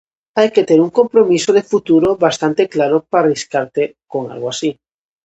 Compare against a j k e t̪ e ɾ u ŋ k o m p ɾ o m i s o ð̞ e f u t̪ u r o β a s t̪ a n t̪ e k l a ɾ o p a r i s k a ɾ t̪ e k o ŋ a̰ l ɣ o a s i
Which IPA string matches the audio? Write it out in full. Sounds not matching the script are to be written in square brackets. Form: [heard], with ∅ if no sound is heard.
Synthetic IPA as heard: a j k e t̪ e ɾ u ŋ k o m p ɾ o m i s o ð̞ e f u t̪ u [ɾ] o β a s t̪ a n t̪ e k l a ɾ o p a r i s k a ɾ t̪ e k o ŋ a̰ l ɣ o a s i